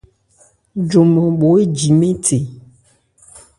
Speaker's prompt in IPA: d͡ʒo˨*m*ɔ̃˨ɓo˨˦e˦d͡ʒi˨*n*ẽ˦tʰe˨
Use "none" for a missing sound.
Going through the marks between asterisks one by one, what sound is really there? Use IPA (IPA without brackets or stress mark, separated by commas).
m, m